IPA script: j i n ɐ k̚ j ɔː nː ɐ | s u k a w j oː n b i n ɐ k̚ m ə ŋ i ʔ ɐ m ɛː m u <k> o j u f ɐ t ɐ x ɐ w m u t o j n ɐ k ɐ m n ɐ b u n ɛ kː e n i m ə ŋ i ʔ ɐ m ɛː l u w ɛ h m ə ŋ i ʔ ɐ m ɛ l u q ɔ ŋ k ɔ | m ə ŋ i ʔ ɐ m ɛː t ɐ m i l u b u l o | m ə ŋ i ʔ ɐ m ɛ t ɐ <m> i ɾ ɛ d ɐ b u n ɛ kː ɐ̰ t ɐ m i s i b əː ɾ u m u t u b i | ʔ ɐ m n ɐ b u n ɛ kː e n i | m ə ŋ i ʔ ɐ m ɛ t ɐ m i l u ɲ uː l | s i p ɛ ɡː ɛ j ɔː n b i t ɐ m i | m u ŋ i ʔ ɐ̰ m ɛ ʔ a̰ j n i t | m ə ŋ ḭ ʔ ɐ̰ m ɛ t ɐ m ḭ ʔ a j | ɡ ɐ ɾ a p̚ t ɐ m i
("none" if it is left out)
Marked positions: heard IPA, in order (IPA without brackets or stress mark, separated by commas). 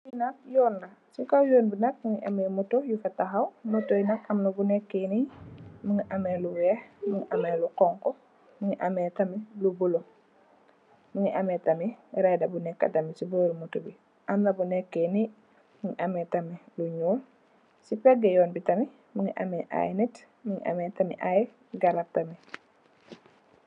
t, m